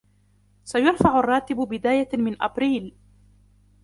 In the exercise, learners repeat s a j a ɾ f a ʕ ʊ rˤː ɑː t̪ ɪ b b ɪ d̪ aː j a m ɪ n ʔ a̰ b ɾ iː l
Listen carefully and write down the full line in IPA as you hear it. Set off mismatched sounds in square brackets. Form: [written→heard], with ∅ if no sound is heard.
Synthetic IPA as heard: s a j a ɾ f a ʕ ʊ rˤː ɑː t̪ ɪ b b ɪ d̪ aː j a m ɪ n ʔ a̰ b ɾ iː l